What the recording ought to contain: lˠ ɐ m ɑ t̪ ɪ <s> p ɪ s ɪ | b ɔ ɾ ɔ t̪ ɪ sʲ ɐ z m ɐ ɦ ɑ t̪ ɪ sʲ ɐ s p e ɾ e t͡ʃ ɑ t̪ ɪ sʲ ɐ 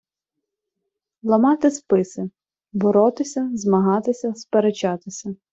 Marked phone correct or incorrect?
correct